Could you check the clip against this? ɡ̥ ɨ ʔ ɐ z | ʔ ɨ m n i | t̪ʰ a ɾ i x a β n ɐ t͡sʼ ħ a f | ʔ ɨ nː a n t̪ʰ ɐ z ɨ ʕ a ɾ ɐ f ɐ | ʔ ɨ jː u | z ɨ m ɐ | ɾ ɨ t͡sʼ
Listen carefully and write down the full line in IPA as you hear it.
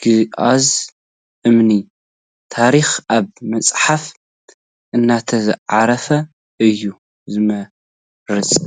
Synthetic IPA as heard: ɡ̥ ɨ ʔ a z | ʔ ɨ m n i | t̪ʰ a ɾ i x a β m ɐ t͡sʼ ħ a f | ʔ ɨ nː a t̪ʰ ɐ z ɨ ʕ a ɾ ɐ f ɐ | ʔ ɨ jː u | z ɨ m ɐ | ɾ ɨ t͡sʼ